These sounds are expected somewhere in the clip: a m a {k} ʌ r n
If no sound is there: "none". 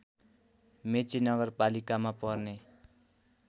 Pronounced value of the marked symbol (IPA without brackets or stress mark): p